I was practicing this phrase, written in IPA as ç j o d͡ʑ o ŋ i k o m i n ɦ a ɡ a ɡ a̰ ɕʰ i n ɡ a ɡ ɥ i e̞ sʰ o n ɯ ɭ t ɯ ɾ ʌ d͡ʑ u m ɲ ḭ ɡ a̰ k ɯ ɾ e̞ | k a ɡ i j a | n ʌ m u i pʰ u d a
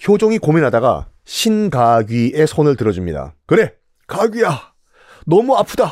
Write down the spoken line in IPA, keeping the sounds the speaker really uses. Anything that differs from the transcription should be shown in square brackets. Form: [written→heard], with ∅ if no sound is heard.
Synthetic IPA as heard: ç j o d͡ʑ o ŋ i k o m i n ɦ a [ɡ→d] a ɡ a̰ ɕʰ i n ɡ a ɡ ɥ i e̞ sʰ o n ɯ ɭ t ɯ ɾ ʌ d͡ʑ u m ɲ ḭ [ɡ→d] a̰ k ɯ ɾ e̞ | k a ɡ i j a | n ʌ m u [i→a] pʰ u d a